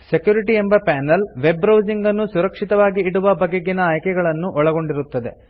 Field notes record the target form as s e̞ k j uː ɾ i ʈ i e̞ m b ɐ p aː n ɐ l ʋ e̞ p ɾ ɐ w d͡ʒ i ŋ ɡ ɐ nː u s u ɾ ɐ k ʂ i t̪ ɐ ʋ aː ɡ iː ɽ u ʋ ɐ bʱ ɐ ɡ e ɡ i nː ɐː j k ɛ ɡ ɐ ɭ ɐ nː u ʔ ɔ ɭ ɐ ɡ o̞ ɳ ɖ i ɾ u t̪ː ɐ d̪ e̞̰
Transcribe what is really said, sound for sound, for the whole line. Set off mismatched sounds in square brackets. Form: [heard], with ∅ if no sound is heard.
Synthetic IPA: s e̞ k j uː ɾ i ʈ i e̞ m b ɐ p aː n ɐ l ʋ e̞ [b] ɾ ɐ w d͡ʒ i ŋ ɡ ɐ nː u s u ɾ ɐ k ʂ i t̪ ɐ ʋ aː ɡ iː ɽ u ʋ ɐ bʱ ɐ ɡ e ɡ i [n] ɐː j k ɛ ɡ ɐ ɭ ɐ nː u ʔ ɔ ɭ ɐ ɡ o̞ ɳ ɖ i ɾ u t̪ː ɐ d̪ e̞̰